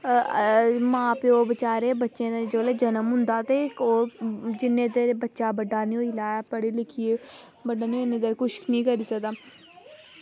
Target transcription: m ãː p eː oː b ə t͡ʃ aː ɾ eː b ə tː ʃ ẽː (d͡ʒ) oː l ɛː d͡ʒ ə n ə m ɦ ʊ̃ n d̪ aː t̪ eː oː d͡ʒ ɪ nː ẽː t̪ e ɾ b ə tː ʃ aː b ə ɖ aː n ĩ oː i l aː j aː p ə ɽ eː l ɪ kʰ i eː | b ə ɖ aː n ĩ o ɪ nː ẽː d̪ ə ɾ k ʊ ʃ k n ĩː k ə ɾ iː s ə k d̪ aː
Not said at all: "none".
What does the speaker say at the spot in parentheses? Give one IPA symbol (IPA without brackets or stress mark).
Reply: d͡ʒ